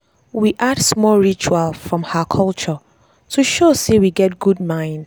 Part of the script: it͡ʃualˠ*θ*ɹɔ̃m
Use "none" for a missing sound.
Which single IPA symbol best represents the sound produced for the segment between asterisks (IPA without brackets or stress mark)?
f